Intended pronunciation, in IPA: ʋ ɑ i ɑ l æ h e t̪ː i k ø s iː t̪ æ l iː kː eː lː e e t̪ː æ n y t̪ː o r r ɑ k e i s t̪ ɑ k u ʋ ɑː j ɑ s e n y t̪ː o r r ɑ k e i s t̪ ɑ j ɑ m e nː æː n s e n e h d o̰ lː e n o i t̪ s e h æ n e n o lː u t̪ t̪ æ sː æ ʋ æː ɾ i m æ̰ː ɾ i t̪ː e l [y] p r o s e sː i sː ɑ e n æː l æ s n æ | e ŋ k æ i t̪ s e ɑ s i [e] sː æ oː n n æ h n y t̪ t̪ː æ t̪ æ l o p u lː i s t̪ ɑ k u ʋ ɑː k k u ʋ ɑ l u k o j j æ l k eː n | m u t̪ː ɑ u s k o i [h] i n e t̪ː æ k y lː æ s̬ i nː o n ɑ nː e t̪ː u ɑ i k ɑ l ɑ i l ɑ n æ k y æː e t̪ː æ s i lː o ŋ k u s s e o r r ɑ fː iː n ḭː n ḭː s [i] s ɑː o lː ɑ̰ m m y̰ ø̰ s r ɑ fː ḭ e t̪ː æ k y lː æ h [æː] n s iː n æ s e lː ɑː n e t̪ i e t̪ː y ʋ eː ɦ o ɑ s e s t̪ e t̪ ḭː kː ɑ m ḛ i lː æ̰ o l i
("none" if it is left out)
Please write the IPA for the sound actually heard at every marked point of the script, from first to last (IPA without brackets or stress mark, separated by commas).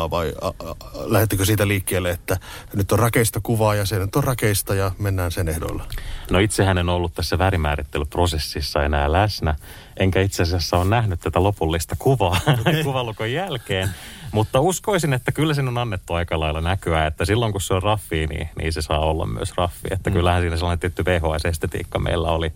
y, æ, s, e, æ